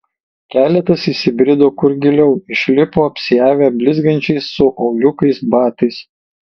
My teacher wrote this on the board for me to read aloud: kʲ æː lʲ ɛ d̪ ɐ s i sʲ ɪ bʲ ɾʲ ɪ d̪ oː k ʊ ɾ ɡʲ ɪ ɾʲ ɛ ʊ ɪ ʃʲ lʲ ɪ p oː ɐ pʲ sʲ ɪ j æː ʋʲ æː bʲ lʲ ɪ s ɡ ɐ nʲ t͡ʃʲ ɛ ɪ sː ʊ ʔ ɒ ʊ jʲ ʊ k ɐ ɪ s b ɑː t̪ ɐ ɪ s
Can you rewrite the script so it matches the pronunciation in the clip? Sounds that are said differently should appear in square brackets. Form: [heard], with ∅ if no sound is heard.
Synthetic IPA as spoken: kʲ æː lʲ ɛ [t̪] ɐ s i sʲ ɪ bʲ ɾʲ ɪ d̪ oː k ʊ ɾ ɡʲ ɪ [lʲ] ɛ ʊ ɪ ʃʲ lʲ ɪ p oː ɐ pʲ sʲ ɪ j æː ʋʲ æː bʲ lʲ ɪ [z] ɡ ɐ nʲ t͡ʃʲ ɛ ɪ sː ʊ ʔ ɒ ʊ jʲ ʊ k ɐ ɪ s b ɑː t̪ ɐ ɪ s